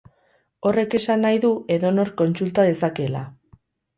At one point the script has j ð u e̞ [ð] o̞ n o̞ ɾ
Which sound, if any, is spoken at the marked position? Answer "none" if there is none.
ð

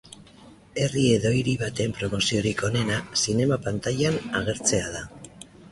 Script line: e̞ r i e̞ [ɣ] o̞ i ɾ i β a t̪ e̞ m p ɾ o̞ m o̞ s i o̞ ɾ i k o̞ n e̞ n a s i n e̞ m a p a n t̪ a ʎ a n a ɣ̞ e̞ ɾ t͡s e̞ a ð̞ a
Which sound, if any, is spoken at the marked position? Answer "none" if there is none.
ð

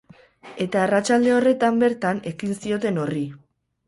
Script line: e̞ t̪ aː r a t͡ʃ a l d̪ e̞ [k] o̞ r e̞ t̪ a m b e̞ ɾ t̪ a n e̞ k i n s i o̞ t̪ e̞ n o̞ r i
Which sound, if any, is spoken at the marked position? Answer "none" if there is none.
none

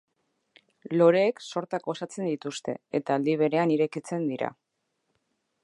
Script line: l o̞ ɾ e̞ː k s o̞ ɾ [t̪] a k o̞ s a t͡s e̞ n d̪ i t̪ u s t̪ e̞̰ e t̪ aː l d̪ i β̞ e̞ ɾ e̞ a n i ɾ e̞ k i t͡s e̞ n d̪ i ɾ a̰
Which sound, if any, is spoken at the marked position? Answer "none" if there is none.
t̪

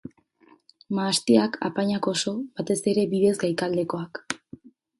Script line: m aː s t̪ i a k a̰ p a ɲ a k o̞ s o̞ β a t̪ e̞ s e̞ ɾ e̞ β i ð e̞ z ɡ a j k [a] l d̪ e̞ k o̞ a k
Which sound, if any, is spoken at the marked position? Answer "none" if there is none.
a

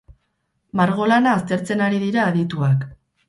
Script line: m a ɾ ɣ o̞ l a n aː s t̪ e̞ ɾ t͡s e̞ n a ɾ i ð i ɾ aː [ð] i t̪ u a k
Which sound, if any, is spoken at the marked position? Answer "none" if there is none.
ð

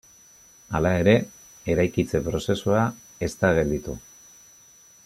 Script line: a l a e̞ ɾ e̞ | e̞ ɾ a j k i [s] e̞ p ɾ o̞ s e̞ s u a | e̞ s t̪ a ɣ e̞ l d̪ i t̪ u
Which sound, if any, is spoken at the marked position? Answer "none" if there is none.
t͡s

